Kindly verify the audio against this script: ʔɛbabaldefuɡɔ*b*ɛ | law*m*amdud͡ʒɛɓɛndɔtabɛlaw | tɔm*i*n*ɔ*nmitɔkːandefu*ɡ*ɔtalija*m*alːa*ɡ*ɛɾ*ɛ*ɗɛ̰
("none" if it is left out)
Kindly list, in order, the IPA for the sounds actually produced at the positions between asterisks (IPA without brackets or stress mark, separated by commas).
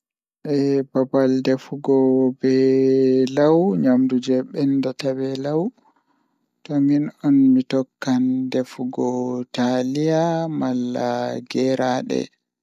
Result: b, ɲ, i, ɔ, ɡ, m, ɡ, a